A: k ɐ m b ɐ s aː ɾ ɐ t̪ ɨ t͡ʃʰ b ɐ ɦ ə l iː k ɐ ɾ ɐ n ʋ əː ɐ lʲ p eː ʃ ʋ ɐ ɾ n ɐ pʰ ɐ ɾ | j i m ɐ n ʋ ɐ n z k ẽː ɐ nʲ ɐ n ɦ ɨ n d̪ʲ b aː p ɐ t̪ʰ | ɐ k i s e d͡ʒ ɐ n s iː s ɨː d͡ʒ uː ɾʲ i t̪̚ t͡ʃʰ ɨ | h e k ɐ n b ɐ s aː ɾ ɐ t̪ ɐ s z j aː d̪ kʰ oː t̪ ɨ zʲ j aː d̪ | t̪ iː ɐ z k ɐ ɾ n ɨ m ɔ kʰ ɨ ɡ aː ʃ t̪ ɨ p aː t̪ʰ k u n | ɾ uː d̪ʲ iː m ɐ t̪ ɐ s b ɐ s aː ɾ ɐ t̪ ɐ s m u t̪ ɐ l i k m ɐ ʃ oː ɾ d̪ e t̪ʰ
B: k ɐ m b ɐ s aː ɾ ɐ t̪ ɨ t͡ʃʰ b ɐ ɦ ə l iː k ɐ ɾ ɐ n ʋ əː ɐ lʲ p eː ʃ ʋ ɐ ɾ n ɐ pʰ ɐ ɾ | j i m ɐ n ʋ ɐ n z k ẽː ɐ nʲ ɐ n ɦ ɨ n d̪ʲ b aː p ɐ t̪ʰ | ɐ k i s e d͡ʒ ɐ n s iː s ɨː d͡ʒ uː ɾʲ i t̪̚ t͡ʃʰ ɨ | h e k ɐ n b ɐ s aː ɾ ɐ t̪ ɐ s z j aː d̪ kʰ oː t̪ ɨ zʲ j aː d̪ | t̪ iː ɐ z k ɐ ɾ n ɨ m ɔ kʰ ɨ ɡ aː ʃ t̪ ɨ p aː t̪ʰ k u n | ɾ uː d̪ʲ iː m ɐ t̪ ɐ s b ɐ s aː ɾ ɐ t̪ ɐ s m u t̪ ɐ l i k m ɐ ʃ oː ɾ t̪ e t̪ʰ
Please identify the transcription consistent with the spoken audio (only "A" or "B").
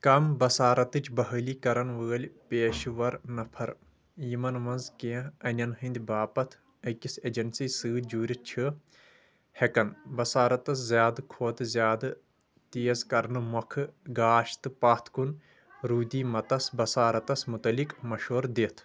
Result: A